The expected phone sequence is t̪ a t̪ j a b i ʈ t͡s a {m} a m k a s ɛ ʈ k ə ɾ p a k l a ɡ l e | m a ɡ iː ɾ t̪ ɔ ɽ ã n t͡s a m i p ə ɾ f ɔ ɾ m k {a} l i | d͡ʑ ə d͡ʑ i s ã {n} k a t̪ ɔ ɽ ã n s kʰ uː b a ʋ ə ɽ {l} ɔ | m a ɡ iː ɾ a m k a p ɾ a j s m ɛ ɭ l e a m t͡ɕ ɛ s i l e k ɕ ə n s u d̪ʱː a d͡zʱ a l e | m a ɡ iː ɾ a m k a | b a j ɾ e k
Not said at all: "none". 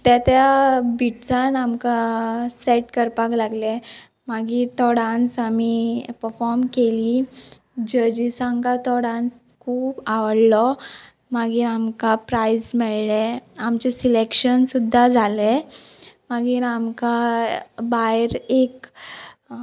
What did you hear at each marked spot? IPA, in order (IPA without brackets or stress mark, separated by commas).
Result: n, e, ŋ, l